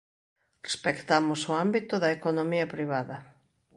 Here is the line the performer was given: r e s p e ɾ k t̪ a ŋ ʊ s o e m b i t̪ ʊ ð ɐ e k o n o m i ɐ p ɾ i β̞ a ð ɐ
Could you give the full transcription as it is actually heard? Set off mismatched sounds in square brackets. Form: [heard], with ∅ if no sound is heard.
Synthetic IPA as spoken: r e s p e [∅] k t̪ a [m] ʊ s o [a] m b i t̪ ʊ ð ɐ e k o n o m i ɐ p ɾ i β̞ a ð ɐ